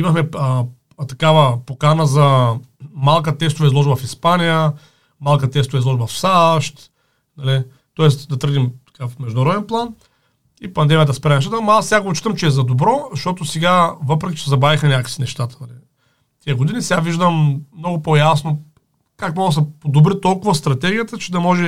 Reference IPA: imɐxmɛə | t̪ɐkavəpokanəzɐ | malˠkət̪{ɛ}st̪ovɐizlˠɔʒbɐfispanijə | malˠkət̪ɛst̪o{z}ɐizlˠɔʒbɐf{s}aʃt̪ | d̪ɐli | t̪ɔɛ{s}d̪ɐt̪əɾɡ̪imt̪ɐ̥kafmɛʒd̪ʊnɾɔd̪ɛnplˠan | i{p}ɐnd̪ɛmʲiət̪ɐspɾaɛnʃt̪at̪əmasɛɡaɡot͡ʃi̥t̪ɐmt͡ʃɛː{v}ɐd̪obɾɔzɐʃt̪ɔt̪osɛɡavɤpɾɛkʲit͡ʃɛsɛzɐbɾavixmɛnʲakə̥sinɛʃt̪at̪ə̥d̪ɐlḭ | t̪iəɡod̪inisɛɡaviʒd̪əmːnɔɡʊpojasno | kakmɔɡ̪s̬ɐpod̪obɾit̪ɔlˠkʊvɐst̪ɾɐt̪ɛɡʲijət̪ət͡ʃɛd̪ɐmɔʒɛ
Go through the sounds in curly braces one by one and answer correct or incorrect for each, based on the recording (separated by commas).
correct, incorrect, correct, correct, correct, incorrect